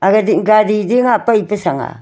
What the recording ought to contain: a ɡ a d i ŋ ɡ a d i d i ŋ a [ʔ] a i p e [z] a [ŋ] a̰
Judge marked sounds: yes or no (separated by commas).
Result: no, no, yes